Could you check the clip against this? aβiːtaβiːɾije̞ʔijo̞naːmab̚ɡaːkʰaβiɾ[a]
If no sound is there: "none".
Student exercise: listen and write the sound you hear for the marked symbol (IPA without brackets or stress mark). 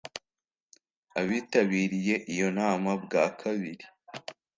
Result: i